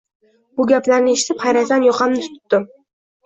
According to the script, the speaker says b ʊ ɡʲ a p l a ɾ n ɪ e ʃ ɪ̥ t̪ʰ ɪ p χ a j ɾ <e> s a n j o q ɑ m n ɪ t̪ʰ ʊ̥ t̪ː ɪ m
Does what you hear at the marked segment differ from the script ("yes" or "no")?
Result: yes